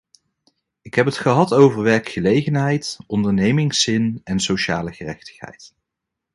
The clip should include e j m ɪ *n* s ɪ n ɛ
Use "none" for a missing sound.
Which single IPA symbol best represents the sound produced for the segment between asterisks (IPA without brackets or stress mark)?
ŋ